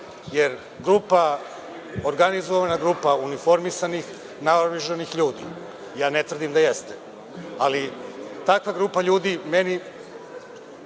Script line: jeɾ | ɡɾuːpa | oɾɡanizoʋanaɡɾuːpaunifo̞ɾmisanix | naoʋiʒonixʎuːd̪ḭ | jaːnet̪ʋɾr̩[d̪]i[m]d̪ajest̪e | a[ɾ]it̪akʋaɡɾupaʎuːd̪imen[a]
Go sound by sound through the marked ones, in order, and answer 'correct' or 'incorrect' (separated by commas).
correct, correct, incorrect, incorrect